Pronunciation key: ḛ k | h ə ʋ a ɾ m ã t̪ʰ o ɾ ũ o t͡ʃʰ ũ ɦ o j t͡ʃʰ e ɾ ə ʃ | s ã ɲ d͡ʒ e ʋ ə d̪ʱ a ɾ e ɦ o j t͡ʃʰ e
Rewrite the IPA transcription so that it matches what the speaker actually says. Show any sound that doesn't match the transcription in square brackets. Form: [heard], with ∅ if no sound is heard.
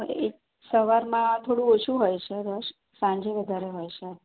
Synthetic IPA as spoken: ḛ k | [s] ə ʋ a ɾ m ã t̪ʰ o [ɽ] ũ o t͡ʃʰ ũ ɦ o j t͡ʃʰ e ɾ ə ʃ | s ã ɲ d͡ʒ e ʋ ə d̪ʱ a ɾ e ɦ o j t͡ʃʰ e